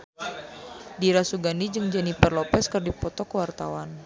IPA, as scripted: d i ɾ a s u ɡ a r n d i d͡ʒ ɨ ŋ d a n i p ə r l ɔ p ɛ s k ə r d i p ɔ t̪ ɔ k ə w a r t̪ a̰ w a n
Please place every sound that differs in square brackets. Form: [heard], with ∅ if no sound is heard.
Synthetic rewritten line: d i ɾ a s u ɡ a [∅] n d i d͡ʒ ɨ ŋ [d͡ʒ] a n i p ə r l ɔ p ɛ s k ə r d i p ɔ t̪ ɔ k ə w a r t̪ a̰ w a n